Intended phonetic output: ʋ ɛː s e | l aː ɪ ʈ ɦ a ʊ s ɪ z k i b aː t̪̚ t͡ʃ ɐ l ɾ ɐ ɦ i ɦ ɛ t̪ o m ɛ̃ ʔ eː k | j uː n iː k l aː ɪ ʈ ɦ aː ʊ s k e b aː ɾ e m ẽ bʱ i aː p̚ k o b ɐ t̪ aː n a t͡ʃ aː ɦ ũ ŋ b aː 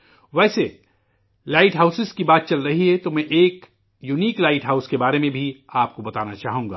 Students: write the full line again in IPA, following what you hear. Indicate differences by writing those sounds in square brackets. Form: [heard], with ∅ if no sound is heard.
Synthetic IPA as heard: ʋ ɛː s e | l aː ɪ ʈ ɦ a ʊ s ɪ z k i b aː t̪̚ t͡ʃ ɐ l ɾ ɐ ɦ i ɦ ɛ t̪ o m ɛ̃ ʔ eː k | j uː n iː k l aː ɪ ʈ ɦ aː ʊ s k e b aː ɾ e m ẽ bʱ i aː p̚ k o b ɐ t̪ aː n a t͡ʃ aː ɦ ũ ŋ [ɡ] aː